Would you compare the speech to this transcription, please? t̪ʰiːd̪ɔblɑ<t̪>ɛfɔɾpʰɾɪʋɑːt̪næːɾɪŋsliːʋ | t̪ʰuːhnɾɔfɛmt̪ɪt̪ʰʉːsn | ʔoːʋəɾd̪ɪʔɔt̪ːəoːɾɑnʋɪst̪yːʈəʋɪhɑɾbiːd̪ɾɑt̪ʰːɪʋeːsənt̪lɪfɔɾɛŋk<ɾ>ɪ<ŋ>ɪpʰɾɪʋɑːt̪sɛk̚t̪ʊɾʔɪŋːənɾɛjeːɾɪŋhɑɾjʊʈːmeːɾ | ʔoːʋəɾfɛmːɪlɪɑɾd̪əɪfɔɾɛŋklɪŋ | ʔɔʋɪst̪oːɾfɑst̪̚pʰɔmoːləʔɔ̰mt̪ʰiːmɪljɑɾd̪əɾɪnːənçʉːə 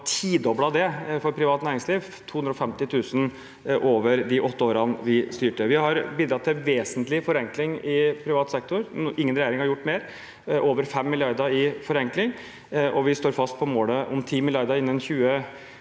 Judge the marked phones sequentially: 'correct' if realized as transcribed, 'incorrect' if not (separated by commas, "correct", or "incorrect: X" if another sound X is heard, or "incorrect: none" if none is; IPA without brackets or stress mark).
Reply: incorrect: d̪, incorrect: l, correct